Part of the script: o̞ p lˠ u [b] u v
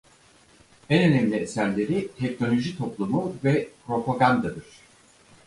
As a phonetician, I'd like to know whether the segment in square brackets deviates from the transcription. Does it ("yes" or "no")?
yes